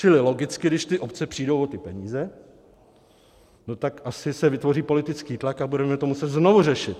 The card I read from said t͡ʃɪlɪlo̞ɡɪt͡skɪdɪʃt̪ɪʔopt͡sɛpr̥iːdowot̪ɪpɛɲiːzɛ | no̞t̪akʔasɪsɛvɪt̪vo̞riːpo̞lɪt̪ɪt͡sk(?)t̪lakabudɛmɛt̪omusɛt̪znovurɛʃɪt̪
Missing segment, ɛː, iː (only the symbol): iː